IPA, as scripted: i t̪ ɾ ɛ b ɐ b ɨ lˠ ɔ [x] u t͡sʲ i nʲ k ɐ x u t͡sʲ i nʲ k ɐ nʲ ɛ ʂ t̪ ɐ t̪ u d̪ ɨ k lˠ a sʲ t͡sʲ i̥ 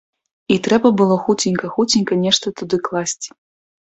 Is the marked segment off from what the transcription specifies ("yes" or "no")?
no